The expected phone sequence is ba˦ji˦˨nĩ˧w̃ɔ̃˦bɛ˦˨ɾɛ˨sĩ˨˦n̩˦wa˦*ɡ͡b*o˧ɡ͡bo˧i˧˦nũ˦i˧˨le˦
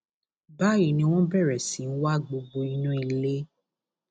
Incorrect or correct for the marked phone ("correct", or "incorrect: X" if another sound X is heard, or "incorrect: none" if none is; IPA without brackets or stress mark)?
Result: correct